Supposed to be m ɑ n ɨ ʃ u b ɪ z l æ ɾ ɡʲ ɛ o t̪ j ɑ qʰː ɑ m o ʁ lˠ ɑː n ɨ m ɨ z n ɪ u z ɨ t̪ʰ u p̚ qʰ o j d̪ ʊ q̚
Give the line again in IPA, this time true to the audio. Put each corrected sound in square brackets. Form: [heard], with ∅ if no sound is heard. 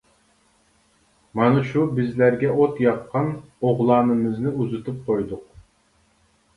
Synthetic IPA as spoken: m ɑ n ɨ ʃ u b ɪ z l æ ɾ ɡʲ ɛ o t̪ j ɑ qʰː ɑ [n] o ʁ lˠ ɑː n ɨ m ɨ z n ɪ u z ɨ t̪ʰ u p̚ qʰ o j d̪ ʊ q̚